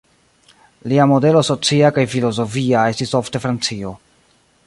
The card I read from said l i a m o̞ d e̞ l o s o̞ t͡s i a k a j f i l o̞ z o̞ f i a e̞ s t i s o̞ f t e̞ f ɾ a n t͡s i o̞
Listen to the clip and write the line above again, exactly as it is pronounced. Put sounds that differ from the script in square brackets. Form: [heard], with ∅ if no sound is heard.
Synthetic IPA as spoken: l i a m o̞ d e̞ l o s o̞ t͡s i a k a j f i l o̞ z o̞ f i a e̞ s t i s o̞ f t e̞ f ɾ a n t͡s i o̞